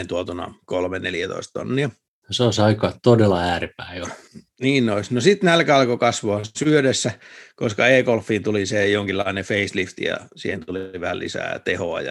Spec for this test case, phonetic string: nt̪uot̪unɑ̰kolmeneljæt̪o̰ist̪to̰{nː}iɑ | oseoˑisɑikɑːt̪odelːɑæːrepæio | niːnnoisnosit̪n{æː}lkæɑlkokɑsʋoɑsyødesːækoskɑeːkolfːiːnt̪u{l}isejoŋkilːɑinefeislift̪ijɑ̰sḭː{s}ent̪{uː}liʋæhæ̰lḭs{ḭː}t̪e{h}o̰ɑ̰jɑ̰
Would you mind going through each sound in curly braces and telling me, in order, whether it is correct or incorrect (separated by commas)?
correct, incorrect, correct, incorrect, incorrect, incorrect, correct